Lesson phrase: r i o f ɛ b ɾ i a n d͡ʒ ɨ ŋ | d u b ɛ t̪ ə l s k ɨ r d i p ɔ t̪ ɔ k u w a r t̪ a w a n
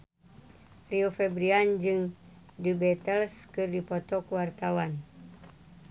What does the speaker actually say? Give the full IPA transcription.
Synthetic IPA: r i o f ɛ b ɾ i a n d͡ʒ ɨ ŋ | d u b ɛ t̪ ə l s k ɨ r d i p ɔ t̪ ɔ k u w a r t̪ a w a n